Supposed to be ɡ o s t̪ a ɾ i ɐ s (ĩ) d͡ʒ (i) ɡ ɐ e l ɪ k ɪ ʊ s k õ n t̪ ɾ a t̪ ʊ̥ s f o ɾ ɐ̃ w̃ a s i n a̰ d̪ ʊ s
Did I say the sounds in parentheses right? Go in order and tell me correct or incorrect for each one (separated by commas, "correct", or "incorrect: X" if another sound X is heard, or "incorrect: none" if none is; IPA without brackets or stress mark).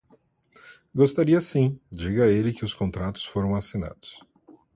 correct, correct